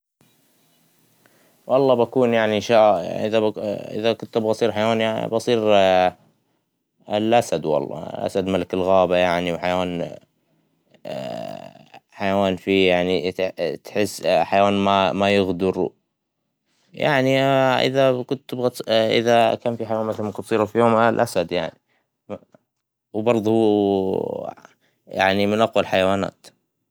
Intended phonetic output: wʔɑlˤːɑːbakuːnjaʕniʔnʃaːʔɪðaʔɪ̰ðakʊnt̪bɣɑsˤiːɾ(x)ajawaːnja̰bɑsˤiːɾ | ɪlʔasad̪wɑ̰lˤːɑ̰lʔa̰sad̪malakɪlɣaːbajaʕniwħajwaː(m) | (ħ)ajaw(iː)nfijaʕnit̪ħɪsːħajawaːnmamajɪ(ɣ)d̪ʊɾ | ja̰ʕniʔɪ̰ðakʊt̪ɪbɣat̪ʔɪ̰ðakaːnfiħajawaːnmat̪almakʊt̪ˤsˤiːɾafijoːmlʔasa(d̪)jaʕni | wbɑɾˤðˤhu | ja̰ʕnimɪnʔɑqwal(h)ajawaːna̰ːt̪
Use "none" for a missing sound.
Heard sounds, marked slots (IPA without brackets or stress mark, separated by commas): ħ, n, ħ, aː, ɣ, d̪, ħ